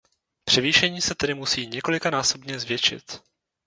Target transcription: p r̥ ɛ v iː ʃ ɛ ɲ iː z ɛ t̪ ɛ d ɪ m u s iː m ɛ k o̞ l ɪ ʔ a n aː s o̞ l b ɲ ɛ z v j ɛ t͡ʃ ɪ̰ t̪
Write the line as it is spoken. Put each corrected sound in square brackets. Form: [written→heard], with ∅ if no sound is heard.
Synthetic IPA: p r̥ ɛ v iː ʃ ɛ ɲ iː [z→s] ɛ t̪ ɛ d ɪ m u s iː [m→ɲ] ɛ k o̞ l ɪ [ʔ→k] a n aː s o̞ [l→∅] b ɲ ɛ z v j ɛ t͡ʃ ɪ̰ t̪